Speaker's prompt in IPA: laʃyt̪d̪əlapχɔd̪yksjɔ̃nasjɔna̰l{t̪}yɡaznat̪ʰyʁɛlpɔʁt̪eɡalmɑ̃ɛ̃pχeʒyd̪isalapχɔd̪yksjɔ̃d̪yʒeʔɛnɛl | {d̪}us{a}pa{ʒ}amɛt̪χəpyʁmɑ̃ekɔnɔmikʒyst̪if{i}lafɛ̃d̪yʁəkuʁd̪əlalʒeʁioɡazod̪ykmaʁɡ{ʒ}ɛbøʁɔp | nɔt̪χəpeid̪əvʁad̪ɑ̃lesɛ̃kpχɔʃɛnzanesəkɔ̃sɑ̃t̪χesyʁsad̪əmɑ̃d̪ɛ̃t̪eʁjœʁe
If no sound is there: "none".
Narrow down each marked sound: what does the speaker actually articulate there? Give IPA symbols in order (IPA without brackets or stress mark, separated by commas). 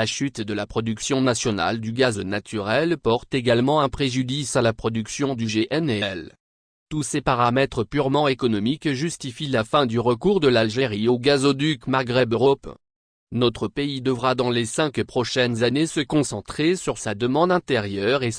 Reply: d̪, t̪, e, ʁ, i, ʁ